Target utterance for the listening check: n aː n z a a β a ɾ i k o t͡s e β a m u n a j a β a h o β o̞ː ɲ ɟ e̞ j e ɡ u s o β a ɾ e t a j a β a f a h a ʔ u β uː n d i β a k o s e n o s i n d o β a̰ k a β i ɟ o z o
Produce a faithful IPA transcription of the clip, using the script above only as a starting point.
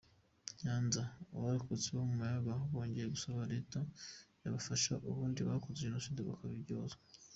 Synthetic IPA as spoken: ɲ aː n z a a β a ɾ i k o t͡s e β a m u m a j a β a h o β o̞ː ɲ ɟ e̞ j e ɡ u s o β a ɾ e t a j a β a f a ʃ a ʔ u β uː n d i β a k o z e n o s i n d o β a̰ k a β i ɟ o z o